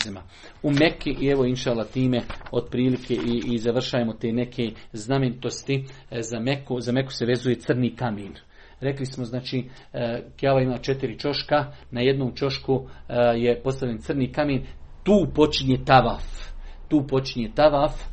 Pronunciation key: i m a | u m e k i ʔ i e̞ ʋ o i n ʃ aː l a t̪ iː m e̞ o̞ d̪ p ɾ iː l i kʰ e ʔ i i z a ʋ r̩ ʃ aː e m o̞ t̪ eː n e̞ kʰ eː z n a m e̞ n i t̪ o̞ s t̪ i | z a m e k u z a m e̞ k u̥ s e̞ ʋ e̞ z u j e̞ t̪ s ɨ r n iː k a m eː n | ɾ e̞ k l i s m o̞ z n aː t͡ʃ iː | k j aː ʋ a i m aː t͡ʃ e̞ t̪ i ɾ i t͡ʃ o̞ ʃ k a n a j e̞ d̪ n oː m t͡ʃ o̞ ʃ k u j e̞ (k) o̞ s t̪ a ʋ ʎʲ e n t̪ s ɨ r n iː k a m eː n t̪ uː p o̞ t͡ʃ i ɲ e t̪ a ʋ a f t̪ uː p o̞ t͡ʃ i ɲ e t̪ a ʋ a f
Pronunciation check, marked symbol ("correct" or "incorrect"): incorrect